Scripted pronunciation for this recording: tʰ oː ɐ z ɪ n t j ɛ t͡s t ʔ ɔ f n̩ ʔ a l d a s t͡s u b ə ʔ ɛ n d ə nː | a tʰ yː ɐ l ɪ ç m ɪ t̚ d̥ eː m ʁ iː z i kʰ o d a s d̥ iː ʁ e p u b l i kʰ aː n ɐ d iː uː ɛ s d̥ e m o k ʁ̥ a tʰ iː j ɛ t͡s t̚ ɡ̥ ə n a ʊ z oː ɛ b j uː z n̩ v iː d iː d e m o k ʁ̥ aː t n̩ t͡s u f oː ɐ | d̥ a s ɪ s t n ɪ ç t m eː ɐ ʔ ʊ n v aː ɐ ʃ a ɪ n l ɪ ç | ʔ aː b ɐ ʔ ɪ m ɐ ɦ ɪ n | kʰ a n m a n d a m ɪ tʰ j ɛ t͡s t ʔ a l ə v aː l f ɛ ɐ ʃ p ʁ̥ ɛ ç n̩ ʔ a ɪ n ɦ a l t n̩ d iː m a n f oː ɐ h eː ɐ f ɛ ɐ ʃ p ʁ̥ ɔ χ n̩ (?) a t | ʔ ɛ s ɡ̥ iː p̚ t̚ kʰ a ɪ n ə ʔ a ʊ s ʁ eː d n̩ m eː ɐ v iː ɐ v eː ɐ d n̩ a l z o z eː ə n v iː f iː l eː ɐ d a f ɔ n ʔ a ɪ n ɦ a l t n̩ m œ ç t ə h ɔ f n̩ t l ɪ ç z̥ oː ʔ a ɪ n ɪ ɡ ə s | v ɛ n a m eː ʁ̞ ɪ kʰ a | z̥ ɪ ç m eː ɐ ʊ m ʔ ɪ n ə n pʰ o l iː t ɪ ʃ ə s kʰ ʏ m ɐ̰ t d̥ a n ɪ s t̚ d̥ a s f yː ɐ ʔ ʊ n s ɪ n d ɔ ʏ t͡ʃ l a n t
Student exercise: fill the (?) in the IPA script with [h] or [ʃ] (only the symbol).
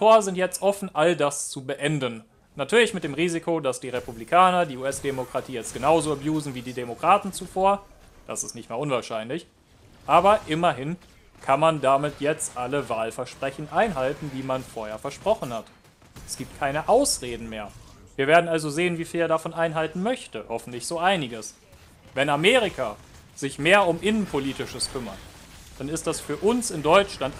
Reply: h